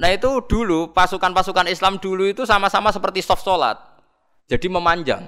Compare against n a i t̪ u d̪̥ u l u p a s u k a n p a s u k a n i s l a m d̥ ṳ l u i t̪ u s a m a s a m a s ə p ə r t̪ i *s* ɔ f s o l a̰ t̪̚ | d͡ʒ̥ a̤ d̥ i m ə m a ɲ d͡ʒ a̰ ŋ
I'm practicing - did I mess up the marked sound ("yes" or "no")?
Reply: no